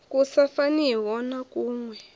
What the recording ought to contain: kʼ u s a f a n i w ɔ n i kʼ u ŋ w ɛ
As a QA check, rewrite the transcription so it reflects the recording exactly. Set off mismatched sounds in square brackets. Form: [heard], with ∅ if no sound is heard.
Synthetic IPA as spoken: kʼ u s a f a n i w ɔ n [a] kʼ [uː] ŋ w ɛ

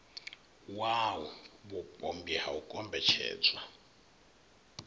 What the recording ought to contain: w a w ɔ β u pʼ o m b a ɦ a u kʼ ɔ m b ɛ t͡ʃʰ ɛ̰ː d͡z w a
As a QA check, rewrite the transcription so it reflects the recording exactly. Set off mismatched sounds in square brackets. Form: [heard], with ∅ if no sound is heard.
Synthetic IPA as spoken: w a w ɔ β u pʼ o m b [i] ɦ a u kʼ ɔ m b ɛ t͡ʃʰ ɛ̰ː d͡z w a

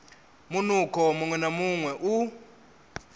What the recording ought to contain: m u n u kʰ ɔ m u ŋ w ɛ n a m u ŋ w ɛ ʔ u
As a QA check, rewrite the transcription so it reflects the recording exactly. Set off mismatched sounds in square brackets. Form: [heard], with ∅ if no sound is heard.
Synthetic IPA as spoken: m u n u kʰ ɔ m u ŋ w ɛ n a m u ŋ w ɛ ʔ u

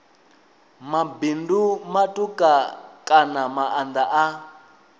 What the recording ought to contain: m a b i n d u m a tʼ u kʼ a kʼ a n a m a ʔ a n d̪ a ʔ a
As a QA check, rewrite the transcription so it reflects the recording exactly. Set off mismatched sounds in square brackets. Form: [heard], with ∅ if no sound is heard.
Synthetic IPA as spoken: m a b i n d u m a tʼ u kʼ a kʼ a n a m a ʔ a n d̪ a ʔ a

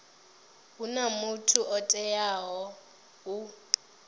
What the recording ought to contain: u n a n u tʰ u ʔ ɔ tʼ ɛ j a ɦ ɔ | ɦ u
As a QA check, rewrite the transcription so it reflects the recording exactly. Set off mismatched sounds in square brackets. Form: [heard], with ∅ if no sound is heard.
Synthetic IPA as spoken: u n a [m] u tʰ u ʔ ɔ tʼ ɛ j a ɦ ɔ | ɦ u

